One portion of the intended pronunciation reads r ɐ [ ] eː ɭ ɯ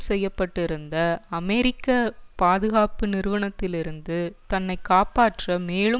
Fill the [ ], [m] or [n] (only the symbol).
m